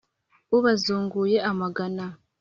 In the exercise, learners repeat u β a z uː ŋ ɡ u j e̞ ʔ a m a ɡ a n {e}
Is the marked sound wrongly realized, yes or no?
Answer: yes